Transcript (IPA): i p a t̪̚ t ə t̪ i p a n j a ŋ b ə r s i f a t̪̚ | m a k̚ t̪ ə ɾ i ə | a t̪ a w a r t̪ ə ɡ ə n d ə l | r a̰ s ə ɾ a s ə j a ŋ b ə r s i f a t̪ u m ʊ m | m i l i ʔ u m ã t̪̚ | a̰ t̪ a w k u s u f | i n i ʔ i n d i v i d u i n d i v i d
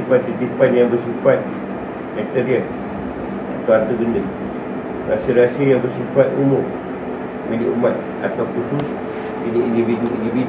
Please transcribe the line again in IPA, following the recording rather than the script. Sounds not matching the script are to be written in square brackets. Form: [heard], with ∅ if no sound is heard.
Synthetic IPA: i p a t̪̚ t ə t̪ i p a n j a ŋ b ə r s i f a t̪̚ | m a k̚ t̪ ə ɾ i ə | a t̪ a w a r t̪ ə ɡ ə n d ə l | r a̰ s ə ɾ a s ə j a ŋ b ə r s i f a t̪ u m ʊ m | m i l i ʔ u m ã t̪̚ | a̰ t̪ a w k u s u [s] | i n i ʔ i n d i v i d u i n d i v i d